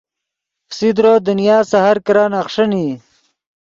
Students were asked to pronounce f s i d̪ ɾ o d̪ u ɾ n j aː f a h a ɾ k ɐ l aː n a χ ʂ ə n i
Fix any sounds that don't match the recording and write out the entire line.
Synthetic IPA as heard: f s i d̪ ɾ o d̪ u n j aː s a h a ɾ k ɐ ɾ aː n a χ ʂ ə n i

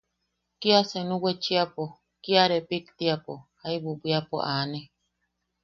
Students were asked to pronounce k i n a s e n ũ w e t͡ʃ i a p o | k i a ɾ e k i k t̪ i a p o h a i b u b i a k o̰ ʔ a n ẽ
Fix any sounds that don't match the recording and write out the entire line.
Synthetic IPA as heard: k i a s e n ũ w e t͡ʃ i a p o | k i a ɾ e p i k t̪ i a p o h a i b u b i a p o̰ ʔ a n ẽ

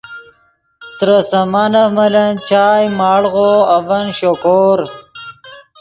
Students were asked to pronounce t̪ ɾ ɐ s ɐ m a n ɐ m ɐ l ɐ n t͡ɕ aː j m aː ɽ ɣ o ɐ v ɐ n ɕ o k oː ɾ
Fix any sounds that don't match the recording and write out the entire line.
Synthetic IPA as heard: t̪ ɾ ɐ s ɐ m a n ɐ m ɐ l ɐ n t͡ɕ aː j m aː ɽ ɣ o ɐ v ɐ n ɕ o k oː ɾ

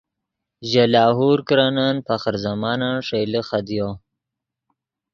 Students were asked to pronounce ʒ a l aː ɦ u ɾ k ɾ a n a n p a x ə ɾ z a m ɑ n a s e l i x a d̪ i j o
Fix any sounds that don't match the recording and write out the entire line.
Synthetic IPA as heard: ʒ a l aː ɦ u ɾ k ɾ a n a n p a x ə ɾ z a m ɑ n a ʂ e l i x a d̪ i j o

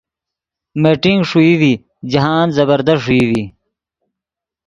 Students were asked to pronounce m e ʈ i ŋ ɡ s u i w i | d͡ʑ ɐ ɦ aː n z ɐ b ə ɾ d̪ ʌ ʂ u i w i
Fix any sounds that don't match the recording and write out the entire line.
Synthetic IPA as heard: m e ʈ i ŋ ɡ ʂ u i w i | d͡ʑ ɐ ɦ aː n z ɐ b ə ɾ d̪ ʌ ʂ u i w i

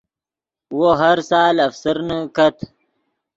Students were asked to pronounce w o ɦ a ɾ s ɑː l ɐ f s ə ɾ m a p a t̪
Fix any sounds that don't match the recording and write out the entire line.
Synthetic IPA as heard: w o ɦ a ɾ s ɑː l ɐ f s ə ɾ n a k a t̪

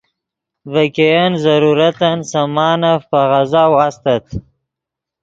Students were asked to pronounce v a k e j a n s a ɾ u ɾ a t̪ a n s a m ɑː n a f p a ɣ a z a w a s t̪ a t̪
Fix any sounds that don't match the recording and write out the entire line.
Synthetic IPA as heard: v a k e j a n z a ɾ u ɾ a t̪ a n s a m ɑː n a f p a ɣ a z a w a s t̪ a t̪

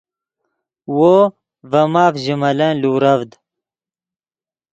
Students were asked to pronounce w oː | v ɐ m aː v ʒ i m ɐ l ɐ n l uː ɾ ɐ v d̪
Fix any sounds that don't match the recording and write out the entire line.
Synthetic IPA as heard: w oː | v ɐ m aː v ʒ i m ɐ l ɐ n l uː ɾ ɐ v d̪

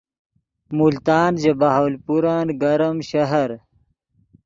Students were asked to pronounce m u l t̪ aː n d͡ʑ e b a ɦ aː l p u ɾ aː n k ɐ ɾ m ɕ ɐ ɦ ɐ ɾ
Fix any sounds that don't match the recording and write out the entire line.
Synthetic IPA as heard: m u l t̪ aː n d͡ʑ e b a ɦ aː l p u ɾ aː n ɡ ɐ ɾ m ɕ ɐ ɦ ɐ ɾ

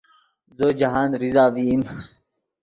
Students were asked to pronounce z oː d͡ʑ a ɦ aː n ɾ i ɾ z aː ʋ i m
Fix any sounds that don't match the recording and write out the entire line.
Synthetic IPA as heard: z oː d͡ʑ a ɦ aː n ɾ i z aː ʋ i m

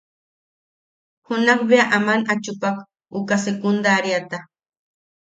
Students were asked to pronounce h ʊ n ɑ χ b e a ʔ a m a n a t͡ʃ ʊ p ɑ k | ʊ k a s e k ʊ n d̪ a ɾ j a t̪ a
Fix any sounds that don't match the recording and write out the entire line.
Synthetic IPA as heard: h ʊ n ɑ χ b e a ʔ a m a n a t͡ʃ ʊ p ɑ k | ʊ k a s e k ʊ n d̪ a ɾ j a t̪ a

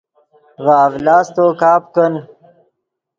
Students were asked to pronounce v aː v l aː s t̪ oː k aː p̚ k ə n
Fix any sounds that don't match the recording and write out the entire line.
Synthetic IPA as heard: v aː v l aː s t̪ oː k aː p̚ k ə n

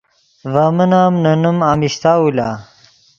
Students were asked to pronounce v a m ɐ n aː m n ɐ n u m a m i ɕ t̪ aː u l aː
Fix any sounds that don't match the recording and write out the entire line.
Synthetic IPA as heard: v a m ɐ n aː m n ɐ n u m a m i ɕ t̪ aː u l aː

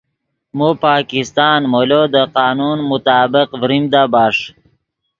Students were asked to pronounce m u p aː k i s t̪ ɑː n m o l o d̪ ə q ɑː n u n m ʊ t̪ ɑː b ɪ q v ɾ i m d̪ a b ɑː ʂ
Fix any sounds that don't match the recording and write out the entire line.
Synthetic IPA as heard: m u p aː k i s t̪ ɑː n m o l o d̪ ə q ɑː n u n m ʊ t̪ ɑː b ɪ q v ɾ i m d̪ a b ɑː ʂ

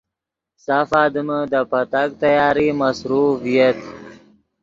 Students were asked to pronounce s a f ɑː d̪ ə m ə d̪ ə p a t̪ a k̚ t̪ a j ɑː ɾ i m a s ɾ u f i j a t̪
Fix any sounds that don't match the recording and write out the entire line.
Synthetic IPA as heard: s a f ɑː d̪ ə m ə d̪ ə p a t̪ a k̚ t̪ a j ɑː ɾ i m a s ɾ u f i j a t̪

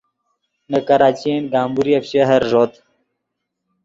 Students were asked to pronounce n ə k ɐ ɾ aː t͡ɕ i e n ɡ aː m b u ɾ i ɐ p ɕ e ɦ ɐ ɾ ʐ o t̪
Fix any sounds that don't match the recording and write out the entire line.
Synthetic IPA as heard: n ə k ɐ ɾ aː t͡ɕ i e n ɡ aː m b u ɾ i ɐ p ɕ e ɦ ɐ ɾ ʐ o t̪

